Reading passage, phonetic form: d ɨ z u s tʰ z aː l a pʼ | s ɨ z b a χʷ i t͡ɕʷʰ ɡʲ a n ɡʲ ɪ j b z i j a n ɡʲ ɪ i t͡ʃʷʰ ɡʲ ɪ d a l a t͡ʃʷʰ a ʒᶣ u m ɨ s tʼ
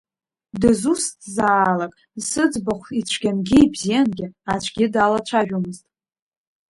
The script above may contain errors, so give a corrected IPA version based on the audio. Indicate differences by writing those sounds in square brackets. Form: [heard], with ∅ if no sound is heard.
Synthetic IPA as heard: d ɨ z u s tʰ z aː l a [kʼ] | s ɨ [d͡z] b a χʷ i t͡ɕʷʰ ɡʲ a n ɡʲ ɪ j b z i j a n ɡʲ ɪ [a] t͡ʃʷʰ ɡʲ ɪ d a l a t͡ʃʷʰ a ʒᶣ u m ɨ [z] tʼ